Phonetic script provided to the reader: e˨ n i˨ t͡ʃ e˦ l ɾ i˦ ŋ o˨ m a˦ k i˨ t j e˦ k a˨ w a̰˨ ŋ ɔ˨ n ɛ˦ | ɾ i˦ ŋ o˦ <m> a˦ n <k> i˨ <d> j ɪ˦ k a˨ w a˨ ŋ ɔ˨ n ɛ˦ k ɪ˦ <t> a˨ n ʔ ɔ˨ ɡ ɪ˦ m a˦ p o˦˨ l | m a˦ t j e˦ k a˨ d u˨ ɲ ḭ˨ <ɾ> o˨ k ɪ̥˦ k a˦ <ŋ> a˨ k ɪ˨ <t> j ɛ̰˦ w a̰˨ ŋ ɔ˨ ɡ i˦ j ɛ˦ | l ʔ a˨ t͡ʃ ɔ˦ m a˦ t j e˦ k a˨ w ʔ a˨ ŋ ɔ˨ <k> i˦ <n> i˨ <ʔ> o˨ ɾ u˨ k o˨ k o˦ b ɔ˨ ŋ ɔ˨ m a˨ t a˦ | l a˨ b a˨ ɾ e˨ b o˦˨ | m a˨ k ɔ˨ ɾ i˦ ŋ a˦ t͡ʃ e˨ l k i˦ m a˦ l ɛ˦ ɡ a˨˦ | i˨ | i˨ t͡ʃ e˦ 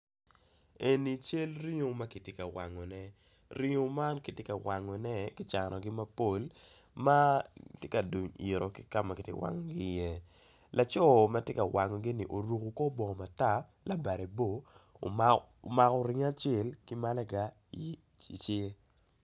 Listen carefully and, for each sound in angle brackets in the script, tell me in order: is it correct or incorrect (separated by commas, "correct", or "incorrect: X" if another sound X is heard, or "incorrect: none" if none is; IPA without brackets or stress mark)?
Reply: correct, correct, incorrect: t, incorrect: t͡ʃ, correct, incorrect: m, correct, incorrect: ɡ, correct, correct